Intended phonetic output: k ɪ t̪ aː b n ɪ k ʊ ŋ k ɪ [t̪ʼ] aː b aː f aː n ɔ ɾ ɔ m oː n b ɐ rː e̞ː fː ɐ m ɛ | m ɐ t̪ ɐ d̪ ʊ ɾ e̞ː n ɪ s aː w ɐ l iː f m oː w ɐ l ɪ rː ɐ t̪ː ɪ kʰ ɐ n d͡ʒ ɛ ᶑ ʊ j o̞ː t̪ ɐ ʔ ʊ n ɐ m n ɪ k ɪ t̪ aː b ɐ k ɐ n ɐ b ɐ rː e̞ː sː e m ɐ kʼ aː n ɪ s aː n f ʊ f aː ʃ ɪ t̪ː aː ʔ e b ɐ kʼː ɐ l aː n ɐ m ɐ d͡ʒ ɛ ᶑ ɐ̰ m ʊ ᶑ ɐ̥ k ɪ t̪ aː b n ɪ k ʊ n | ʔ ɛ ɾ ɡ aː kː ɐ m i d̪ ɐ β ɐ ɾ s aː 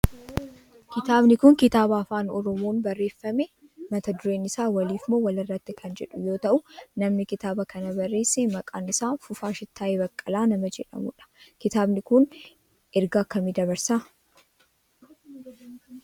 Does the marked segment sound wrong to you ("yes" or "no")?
yes